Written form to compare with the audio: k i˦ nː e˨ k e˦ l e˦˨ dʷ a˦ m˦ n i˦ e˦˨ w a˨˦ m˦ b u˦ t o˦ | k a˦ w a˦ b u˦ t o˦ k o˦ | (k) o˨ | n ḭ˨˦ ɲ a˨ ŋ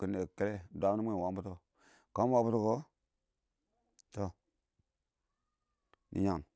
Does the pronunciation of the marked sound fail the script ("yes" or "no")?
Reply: yes